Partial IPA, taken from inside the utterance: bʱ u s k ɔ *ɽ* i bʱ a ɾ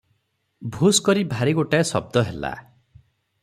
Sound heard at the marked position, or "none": ɾ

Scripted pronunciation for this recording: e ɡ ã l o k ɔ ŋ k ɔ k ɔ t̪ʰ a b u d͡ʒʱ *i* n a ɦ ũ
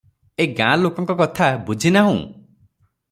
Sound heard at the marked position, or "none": i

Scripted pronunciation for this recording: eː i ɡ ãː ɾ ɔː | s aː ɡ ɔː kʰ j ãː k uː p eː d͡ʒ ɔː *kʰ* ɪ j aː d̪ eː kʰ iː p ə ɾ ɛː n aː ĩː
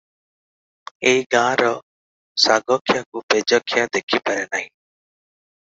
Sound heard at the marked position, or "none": kʰ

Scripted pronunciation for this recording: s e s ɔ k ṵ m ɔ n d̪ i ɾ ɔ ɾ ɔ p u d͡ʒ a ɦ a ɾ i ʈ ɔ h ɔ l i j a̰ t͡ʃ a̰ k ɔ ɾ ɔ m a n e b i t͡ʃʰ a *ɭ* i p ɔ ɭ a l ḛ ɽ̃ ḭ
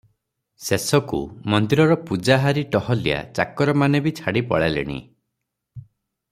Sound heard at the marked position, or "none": ɽ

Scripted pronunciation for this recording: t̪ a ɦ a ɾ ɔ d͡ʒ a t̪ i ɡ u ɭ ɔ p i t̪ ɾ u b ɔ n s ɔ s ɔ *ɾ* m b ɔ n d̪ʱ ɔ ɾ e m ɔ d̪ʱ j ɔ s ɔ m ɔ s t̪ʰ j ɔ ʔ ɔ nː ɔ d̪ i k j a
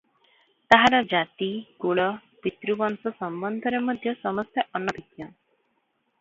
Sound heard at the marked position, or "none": none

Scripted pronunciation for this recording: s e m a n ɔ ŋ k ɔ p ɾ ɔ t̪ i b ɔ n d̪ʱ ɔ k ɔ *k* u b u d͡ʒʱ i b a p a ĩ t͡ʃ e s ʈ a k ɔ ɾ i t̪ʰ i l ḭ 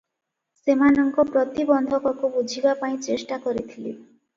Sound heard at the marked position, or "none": k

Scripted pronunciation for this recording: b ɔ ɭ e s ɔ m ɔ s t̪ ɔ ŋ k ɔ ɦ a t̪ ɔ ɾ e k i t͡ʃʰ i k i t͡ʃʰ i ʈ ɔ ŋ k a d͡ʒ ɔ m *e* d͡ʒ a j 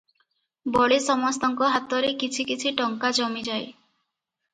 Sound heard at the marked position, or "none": i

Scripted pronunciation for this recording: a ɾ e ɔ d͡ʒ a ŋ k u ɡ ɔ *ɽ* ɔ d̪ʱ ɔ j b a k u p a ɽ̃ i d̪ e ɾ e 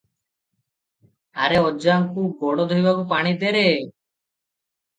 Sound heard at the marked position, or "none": ɽ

